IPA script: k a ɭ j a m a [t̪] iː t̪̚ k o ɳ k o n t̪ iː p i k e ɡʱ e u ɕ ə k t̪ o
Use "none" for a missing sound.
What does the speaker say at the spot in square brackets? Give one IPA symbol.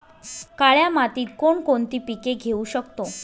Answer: t̪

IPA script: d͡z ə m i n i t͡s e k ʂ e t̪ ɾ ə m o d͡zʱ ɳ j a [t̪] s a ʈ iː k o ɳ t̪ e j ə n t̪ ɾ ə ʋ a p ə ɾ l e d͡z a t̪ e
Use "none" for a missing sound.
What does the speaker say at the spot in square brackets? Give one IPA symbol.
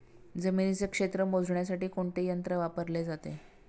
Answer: none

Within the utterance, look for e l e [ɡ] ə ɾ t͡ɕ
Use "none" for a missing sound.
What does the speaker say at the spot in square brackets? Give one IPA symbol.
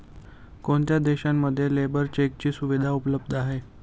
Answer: b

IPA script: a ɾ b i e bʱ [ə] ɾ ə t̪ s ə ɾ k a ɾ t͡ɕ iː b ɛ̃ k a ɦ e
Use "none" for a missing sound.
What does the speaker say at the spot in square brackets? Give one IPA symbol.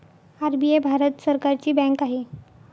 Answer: a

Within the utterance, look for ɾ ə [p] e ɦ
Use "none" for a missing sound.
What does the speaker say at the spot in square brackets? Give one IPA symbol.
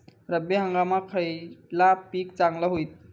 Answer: b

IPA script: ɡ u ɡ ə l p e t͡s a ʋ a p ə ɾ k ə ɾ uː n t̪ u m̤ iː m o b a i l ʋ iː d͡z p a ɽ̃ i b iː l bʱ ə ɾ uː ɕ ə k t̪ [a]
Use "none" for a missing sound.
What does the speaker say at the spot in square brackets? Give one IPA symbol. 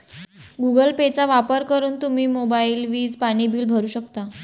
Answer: a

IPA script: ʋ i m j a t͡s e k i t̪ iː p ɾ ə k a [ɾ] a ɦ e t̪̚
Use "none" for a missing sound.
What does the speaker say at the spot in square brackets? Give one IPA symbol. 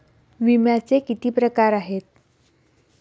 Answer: ɾ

